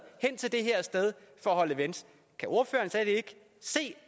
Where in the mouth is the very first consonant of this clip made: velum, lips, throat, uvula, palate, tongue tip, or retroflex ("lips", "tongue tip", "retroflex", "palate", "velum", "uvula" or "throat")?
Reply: throat